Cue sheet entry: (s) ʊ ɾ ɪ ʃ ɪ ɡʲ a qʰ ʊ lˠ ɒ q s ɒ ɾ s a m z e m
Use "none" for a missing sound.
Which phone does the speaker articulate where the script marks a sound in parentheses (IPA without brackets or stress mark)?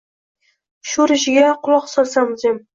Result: ʃ